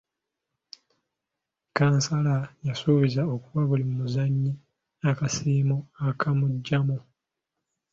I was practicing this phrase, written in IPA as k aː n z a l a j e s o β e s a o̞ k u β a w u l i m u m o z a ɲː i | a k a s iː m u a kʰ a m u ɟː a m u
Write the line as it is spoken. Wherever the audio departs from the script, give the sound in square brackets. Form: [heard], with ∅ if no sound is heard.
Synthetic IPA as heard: k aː n [s] a l a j [a] s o β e [z] a o̞ k u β a [β] u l i m u m [u] z a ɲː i | a k a s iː m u a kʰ a m u ɟː a m u

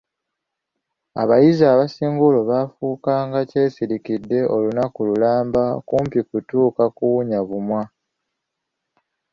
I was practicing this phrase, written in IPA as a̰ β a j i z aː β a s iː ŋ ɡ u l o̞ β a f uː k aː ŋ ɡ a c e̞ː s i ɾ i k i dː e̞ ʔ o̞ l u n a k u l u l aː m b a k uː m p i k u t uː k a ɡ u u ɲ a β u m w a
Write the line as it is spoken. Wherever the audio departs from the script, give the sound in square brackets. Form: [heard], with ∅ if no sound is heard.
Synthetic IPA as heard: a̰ β a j i z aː β a s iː ŋ ɡ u l o̞ β a f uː k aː ŋ ɡ a c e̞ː s i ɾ i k i dː e̞ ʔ o̞ l u n a k u l u l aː m b a k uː m p i k u t uː k a [k] u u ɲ a β u m w a

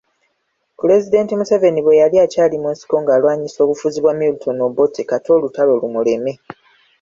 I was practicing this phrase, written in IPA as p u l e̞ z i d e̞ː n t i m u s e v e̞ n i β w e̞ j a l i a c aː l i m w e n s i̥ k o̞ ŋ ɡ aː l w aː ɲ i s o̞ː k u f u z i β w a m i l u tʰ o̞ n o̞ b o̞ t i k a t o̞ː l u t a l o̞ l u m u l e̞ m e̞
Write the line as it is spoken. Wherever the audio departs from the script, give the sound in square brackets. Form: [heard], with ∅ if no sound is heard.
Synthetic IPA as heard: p u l e̞ z i d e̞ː n t i m u s e v e̞ n i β w e̞ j a l i a c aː l i m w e n s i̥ k o̞ ŋ ɡ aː l w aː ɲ i s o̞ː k u f u z i β w a m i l u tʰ o̞ n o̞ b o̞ t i k a t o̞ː l u t a l o̞ l u m u l e̞ m e̞

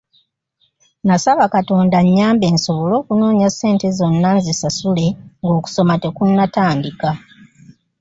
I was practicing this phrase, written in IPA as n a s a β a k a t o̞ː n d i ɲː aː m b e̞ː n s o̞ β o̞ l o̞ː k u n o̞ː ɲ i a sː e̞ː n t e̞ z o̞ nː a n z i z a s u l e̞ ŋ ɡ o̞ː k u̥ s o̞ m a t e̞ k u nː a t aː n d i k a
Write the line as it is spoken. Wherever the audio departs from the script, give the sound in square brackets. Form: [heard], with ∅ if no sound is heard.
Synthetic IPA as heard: n a s a β a k a t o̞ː n d [a] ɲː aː m b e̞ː n s o̞ β o̞ l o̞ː k u n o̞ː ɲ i a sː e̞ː n t e̞ z o̞ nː a n z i [s] a s u l e̞ ŋ ɡ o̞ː k u̥ s o̞ m a t e̞ k u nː a t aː n d i k a

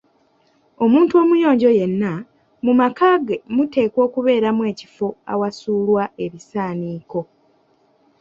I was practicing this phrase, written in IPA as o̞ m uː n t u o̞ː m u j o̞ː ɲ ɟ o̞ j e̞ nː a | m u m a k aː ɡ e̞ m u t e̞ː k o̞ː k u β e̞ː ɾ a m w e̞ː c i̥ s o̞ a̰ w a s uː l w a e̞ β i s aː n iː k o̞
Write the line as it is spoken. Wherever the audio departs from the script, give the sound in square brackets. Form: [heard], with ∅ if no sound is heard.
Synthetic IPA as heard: o̞ m uː n t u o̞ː m u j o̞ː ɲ ɟ o̞ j e̞ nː a | m u m a k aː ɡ e̞ m u t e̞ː k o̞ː k u β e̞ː ɾ a m w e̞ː c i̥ [f] o̞ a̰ w a s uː l w a e̞ β i s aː n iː k o̞

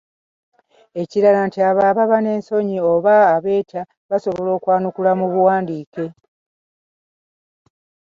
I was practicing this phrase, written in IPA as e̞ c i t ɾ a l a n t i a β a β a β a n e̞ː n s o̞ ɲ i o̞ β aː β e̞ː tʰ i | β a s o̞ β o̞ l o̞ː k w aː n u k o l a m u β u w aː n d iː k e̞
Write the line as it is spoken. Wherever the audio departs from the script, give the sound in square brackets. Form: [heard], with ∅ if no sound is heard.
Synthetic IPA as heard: e̞ c i [∅] ɾ a l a n t i a β a β a β a n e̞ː n s o̞ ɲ i o̞ β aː β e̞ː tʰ [a] | β a s o̞ β o̞ l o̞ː k w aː n u k [u] l a m u β u w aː n d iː k e̞

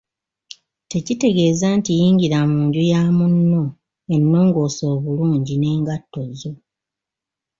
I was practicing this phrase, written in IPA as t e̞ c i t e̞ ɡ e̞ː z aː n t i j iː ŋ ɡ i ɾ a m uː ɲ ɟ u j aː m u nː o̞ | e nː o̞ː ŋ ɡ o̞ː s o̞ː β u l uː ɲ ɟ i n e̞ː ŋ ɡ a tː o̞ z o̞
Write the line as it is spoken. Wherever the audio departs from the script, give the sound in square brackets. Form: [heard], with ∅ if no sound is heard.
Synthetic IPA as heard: t e̞ c i t e̞ ɡ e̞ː z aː n t i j iː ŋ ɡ i ɾ a m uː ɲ ɟ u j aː m u nː o̞ | e nː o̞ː ŋ ɡ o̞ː s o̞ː β u l uː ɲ ɟ i n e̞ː ŋ ɡ a tː o̞ z o̞

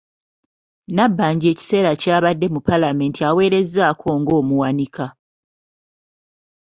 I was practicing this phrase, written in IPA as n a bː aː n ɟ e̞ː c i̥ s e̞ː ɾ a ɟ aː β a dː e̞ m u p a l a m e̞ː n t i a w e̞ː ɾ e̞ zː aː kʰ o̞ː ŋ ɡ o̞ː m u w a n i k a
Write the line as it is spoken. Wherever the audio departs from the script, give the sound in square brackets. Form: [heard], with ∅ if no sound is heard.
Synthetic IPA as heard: n a bː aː [ɲ] ɟ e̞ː c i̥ s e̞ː ɾ a [c] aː β a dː e̞ m u p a l a m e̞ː n t i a w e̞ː ɾ e̞ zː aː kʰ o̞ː ŋ ɡ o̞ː m u w a n i k a

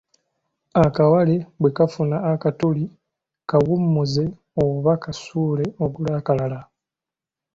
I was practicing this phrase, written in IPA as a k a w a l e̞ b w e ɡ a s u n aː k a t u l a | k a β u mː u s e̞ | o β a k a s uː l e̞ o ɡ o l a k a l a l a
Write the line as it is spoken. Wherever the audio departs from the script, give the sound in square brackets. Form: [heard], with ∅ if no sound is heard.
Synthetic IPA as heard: a k a w a l e̞ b w e [k] a [f] u n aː k a t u l [i] | k a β u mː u [z] e̞ | o β a k a s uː l e̞ o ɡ [u] l a k a l a l a

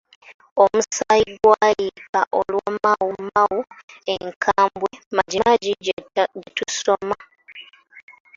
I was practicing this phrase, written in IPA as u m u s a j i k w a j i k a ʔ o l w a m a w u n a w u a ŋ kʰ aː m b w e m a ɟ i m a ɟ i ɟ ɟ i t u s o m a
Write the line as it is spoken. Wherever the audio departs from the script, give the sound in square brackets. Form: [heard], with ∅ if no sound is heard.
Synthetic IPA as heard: [o] m u s a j i [ɡ] w a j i k a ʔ o l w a m a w u [m] a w u [e] ŋ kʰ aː m b w e m a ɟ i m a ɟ i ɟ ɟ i t u s o m a

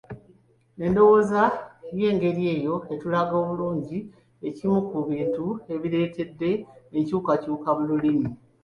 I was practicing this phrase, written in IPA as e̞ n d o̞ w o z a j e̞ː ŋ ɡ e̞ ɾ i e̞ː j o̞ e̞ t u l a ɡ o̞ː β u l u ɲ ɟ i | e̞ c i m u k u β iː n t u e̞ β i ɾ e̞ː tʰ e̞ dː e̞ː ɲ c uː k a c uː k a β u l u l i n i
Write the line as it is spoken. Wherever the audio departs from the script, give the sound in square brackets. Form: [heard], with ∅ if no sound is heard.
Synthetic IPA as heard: e̞ n d o̞ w o z a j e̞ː ŋ ɡ e̞ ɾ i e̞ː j o̞ e̞ t u l a ɡ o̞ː β u l [uː] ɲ ɟ i | e̞ c i m u k u β iː n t u e̞ β i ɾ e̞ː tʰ e̞ dː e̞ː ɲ c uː k a c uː k a β u l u l i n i

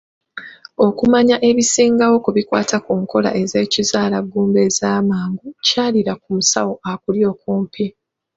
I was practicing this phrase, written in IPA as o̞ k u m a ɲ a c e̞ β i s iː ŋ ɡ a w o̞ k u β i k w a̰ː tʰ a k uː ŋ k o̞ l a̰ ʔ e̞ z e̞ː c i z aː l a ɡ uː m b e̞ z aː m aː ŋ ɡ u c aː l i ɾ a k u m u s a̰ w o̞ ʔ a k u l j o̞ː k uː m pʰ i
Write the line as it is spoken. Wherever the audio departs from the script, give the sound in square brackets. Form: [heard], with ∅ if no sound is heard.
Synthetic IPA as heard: o̞ k u m a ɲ a [ʔ] e̞ β i s iː ŋ ɡ a w o̞ k u β i k w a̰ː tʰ a k uː ŋ k o̞ l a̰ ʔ e̞ z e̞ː c i z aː l a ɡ uː m b e̞ z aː m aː ŋ ɡ u c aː l i ɾ a k u m u s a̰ w o̞ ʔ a k u l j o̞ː k uː m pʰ i

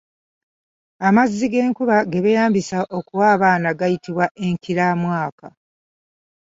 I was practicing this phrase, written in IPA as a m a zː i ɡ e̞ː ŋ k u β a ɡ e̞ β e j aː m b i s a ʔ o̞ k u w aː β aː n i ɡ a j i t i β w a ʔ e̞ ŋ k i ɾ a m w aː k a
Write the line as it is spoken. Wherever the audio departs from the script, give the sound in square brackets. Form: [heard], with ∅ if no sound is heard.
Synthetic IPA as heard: a m a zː i ɡ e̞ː ŋ k u β a ɡ e̞ β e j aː m b i s a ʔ o̞ k u w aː β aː n [a] ɡ a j i t i β w a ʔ e̞ ŋ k i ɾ a m w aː k a

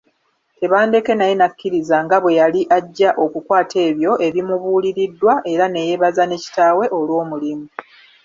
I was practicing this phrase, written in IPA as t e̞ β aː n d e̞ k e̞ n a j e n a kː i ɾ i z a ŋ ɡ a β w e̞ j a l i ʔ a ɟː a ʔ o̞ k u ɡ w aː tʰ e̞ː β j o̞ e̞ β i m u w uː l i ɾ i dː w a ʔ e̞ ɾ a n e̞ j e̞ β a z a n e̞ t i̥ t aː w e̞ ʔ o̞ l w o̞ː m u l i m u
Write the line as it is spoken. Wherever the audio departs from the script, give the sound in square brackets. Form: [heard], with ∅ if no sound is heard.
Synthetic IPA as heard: t e̞ β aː n d e̞ k e̞ n a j e n a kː i ɾ i z a ŋ ɡ a β w e̞ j a l i ʔ a ɟː a ʔ o̞ k u [k] w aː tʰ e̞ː β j o̞ e̞ β i m u [β] uː l i ɾ i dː w a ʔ e̞ ɾ a n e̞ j e̞ β a z a n e̞ [c] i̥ t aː w e̞ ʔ o̞ l w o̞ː m u l i m u

